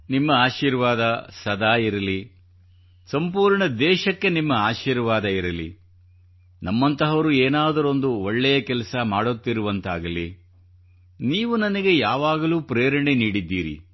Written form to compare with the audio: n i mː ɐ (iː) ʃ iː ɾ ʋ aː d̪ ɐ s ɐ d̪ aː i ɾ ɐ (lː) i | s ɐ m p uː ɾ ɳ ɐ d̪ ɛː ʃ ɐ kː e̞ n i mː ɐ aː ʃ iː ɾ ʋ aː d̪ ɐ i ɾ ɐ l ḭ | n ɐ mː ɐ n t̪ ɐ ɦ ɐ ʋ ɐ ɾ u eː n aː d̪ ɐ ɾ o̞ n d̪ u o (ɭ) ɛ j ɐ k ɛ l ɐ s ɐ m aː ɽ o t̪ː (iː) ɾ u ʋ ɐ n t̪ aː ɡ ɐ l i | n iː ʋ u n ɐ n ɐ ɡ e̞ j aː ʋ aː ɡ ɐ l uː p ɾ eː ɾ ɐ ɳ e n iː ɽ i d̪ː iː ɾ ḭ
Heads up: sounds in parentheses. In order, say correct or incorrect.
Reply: incorrect, incorrect, incorrect, incorrect

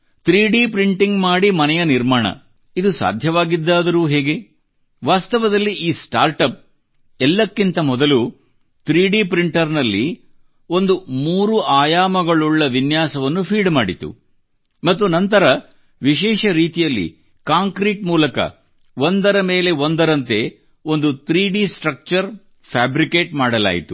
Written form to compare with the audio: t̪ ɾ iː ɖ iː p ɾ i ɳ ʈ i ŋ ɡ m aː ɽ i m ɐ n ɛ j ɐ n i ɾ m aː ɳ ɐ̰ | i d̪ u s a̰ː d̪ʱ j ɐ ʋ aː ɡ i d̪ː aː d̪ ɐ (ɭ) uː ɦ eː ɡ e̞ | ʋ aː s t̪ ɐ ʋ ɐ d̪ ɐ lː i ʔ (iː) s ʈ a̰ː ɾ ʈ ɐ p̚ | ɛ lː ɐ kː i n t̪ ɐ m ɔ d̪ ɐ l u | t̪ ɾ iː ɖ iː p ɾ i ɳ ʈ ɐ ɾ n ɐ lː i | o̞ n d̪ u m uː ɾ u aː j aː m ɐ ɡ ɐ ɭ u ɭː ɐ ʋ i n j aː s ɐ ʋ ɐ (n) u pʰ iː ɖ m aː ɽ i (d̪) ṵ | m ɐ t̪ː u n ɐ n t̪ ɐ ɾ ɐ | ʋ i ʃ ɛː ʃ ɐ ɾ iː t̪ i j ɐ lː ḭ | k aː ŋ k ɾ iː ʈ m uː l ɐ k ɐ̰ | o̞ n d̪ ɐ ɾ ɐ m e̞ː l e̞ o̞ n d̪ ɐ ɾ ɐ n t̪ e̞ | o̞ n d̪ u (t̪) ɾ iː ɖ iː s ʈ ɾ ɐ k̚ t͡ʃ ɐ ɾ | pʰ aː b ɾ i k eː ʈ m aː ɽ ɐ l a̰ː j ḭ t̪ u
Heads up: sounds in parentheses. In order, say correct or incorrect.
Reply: incorrect, correct, incorrect, incorrect, correct

